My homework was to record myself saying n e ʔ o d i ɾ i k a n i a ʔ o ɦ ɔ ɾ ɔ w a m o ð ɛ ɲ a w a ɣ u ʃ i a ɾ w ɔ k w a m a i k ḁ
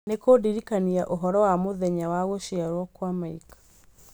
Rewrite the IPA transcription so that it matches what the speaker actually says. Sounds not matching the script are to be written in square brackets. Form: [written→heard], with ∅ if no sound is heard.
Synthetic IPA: n e [ʔ→k] o d i ɾ i k a n i a ʔ o ɦ ɔ ɾ ɔ w a m o ð ɛ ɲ a w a ɣ [u→o] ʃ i a ɾ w ɔ k w a m a i k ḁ